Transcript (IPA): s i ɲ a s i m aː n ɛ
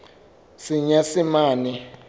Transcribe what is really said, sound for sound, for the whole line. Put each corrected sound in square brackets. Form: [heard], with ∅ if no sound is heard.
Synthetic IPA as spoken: s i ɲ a s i m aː n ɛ